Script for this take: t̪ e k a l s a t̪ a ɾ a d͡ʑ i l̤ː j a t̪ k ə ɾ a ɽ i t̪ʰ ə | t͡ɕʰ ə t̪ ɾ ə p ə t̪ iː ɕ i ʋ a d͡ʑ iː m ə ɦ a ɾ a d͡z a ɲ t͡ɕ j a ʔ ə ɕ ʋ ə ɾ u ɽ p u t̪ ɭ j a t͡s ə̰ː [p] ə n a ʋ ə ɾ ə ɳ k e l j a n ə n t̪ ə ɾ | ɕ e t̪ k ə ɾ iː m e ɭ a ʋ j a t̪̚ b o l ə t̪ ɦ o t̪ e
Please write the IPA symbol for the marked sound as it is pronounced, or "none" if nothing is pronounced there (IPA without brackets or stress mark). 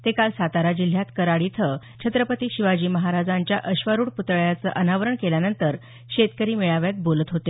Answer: ʔ